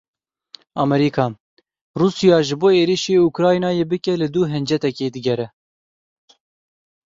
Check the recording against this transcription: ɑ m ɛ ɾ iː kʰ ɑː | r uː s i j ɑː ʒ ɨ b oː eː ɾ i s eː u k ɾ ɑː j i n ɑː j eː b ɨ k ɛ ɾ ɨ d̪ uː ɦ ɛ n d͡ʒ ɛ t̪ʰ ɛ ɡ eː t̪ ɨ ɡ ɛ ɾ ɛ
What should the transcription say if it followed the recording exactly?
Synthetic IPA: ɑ m ɛ ɾ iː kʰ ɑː | r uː s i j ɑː ʒ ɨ b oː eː ɾ i ʃ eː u k ɾ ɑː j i n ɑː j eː b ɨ k ɛ l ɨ d̪ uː ɦ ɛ n d͡ʒ ɛ t̪ ɛ k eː d̪ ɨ ɡ ɛ ɾ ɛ